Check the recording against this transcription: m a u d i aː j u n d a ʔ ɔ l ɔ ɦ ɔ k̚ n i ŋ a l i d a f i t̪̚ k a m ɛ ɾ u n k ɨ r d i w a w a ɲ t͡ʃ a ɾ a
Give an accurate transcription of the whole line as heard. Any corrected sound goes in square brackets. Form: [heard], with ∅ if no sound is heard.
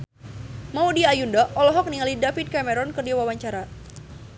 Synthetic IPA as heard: m a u d i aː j u n d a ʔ ɔ l ɔ ɦ ɔ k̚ n i ŋ a l i d a f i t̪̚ k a m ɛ ɾ [ɔ] n k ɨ r d i w a w a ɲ t͡ʃ a ɾ a